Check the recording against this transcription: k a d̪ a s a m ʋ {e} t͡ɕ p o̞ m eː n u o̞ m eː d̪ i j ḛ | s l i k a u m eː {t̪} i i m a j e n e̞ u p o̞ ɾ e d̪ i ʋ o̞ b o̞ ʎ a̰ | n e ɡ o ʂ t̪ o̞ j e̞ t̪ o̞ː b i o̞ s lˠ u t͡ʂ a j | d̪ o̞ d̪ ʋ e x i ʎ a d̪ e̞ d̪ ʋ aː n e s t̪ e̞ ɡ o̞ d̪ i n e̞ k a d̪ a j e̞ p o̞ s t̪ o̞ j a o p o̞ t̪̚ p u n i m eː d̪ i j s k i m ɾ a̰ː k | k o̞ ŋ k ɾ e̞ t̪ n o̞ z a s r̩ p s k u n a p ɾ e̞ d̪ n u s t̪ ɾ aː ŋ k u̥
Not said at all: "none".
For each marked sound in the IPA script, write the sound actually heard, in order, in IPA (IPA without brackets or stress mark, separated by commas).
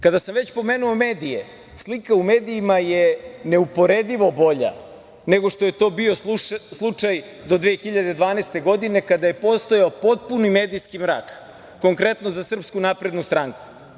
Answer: e, d̪